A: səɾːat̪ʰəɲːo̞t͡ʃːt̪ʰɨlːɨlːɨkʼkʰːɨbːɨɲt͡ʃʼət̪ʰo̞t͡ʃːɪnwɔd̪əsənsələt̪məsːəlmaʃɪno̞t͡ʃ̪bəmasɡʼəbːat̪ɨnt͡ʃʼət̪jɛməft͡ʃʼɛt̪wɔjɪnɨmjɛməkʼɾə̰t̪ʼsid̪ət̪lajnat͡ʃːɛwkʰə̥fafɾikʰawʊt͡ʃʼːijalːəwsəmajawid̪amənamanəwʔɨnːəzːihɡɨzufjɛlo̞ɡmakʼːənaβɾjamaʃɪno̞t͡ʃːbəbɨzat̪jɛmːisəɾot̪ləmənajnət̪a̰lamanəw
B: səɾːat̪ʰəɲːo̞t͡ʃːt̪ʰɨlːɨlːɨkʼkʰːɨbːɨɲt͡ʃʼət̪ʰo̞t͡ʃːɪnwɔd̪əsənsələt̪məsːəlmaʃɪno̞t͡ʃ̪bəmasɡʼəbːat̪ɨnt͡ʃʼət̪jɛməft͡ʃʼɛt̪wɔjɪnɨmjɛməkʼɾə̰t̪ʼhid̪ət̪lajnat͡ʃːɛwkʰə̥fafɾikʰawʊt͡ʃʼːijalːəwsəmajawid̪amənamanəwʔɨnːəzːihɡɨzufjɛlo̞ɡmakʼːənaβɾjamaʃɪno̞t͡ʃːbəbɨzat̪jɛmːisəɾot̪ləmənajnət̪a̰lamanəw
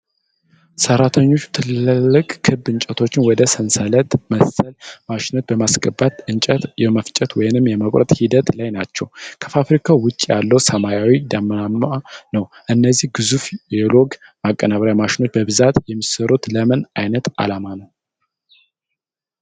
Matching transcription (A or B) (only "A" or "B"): B